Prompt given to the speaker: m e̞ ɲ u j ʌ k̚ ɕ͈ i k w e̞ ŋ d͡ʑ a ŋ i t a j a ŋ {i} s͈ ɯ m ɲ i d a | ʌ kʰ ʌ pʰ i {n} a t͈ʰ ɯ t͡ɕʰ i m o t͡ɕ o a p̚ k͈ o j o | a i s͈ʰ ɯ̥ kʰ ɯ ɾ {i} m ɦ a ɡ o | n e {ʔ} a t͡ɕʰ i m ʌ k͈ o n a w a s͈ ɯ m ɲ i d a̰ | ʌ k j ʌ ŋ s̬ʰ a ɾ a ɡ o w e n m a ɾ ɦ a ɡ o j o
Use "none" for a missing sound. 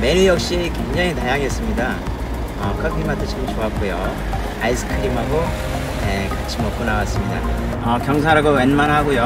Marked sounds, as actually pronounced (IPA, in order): e, m, i, k

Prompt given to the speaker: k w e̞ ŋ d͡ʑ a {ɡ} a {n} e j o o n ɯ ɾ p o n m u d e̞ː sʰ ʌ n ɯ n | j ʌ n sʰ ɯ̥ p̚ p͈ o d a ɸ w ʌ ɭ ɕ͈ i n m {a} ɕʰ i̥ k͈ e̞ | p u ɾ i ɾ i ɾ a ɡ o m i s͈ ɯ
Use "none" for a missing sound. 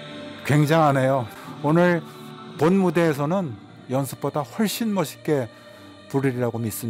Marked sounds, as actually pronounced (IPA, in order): ŋ, n, ʌ

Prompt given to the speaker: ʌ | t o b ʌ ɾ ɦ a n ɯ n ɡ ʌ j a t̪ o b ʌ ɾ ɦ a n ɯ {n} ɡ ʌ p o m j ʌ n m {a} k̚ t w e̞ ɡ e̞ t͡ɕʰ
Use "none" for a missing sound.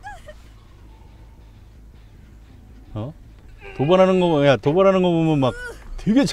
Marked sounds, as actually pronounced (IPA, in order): n, a

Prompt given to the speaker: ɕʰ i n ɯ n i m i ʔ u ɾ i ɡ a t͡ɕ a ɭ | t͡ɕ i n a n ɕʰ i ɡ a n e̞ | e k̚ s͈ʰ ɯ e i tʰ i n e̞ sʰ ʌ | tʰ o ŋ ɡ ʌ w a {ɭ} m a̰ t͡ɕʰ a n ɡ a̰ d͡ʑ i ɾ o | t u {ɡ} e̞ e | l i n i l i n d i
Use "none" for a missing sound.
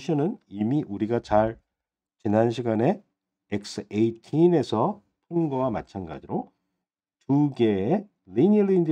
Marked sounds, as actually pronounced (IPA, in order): none, ɡ

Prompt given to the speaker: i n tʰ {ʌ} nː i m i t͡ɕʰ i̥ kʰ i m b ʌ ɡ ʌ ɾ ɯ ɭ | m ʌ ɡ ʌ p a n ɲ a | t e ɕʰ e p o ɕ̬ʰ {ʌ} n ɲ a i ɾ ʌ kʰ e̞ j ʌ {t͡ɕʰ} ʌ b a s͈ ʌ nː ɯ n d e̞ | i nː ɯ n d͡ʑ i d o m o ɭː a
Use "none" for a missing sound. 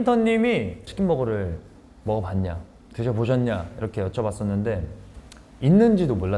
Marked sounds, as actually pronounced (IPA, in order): ʌ, ʌ, t͡ɕʰ

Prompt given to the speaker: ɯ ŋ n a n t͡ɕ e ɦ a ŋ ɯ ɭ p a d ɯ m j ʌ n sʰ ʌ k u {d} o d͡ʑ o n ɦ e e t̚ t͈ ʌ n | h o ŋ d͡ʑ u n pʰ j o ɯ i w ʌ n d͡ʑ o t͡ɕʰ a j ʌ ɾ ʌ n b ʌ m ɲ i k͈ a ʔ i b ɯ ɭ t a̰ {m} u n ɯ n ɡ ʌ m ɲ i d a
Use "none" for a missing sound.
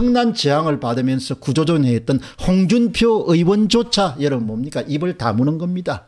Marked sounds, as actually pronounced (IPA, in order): d͡ʑ, m

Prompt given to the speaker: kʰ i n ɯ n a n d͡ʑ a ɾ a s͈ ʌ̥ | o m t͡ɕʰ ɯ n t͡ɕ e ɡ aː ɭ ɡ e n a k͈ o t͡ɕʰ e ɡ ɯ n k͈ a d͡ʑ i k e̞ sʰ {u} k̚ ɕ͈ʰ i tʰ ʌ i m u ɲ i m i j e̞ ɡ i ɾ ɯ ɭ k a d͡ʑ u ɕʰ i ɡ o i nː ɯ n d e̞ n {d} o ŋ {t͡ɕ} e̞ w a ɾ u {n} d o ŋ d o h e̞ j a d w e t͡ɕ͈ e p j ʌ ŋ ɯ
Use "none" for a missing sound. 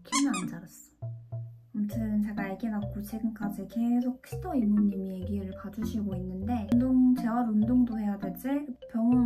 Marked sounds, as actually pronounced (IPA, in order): o, d, t͡ɕ, n

